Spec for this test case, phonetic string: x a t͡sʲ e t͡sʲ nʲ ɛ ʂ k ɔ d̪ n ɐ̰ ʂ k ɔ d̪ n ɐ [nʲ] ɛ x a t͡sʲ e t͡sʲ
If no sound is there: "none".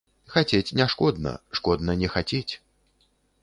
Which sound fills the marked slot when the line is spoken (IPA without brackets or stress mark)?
nʲ